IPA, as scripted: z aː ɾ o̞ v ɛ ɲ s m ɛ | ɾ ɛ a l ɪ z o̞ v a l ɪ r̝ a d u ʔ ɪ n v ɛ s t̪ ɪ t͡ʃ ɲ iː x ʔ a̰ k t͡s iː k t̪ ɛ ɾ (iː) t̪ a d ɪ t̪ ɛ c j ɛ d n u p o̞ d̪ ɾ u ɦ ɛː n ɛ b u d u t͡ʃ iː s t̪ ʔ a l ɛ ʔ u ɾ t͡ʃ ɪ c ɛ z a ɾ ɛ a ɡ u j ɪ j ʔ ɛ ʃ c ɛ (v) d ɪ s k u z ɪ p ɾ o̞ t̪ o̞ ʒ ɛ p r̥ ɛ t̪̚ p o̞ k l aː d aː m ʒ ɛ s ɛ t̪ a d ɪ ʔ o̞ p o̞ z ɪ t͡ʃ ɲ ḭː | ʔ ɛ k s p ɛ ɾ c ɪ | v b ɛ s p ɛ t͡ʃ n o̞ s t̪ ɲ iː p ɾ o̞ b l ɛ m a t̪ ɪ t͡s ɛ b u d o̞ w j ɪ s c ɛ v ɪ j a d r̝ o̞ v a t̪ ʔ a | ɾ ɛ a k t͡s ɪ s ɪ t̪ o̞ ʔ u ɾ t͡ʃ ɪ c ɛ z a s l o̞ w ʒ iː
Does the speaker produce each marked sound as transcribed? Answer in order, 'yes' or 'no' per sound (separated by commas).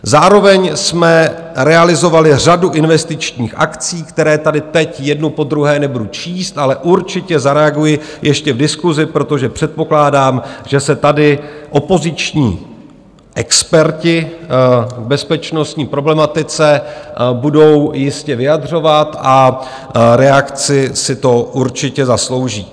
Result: no, yes